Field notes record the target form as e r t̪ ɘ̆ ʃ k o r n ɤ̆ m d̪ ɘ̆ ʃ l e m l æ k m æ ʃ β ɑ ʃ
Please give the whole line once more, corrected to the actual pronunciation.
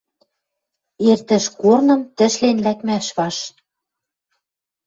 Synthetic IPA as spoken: e r t̪ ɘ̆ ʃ k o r n ɤ̆ m t̪ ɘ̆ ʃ l e n l æ k m æ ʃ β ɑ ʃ

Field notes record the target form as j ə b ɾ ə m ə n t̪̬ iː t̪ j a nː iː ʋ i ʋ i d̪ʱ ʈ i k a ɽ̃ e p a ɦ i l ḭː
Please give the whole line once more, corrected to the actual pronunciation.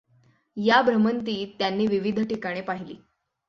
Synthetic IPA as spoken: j a b ɾ ə m ə n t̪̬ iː t̪ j a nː iː ʋ i ʋ i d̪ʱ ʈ i k a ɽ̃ e p a ɦ i l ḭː

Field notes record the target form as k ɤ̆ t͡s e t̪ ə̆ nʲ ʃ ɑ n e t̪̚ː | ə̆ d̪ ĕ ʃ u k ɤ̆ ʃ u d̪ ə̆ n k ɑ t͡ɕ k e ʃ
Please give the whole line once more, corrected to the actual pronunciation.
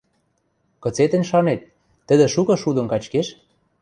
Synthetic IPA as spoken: k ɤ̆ t͡s e t̪ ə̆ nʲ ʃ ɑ n e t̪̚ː | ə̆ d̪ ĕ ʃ u k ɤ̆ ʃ u d̪ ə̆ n k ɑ t͡ɕ k e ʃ

